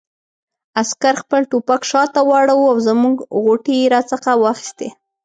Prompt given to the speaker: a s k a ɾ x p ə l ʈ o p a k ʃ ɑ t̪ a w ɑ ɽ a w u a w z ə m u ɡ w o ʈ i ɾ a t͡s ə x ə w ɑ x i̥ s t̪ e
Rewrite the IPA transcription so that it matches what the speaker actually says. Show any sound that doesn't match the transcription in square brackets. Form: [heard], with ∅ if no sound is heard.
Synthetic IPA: a s k a ɾ x p ə l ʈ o p a k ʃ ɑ t̪ a w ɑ ɽ a w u a w z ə m u ɡ [ɣ] o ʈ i ɾ a t͡s ə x [a] w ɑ x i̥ s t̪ e

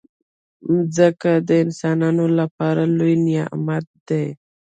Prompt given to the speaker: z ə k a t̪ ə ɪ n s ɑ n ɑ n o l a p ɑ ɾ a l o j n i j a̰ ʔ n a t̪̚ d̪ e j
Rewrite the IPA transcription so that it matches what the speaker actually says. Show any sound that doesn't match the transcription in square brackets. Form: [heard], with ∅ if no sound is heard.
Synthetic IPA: z ə k a [d̪] ə ɪ n s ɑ n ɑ n o l a p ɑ ɾ a l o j n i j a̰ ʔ [m] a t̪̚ d̪ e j

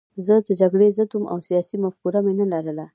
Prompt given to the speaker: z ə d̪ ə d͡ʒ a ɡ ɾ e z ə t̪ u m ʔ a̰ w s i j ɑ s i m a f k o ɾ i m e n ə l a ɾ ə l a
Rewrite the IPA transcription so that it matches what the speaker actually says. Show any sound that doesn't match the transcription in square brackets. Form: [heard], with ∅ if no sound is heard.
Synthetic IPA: z ə d̪ ə d͡ʒ a ɡ [ɽ] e z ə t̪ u m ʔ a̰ w s i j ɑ s i m a f k [u] ɾ [a] m e n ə l a ɾ ə l a

